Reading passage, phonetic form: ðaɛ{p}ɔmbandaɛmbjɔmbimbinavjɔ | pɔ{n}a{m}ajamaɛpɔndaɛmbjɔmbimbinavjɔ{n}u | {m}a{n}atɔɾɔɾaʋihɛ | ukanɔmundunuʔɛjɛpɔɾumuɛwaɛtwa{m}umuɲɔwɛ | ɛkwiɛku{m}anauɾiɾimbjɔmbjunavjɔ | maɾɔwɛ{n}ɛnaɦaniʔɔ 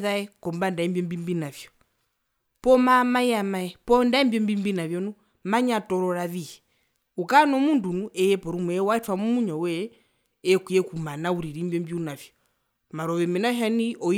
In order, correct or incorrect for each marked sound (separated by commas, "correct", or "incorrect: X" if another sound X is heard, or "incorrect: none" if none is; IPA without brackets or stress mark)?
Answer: incorrect: k, incorrect: m, correct, correct, correct, incorrect: ɲ, correct, correct, incorrect: m